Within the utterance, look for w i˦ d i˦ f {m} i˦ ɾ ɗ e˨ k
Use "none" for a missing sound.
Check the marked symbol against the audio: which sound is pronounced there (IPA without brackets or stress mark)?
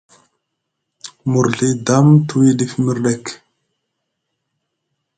m